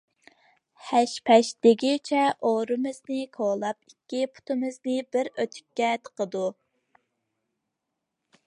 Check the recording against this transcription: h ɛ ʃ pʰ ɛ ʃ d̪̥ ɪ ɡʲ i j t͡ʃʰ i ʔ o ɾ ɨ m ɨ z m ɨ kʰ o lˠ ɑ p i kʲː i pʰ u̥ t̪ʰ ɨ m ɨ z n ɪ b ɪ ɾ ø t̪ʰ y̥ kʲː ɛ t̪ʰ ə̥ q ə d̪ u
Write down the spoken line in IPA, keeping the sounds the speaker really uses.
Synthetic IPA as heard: h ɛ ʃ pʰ ɛ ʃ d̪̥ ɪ ɡʲ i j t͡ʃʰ ɛ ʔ o ɾ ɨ m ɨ z n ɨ kʰ o lˠ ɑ p i kʲː i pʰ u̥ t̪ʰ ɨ m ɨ z n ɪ b ɪ ɾ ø t̪ʰ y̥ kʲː ɛ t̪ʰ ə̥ q ə d̪ u